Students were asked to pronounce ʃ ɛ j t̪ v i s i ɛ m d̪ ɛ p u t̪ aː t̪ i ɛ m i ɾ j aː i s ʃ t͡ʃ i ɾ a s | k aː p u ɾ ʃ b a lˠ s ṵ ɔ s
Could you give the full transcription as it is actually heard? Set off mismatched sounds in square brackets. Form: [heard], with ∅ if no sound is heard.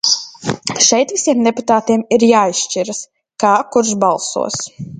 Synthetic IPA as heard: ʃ ɛ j t̪ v i s i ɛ m d̪ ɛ p u t̪ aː t̪ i ɛ m i ɾ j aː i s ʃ t͡ʃ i ɾ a s | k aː [k] u ɾ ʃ b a lˠ s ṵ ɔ s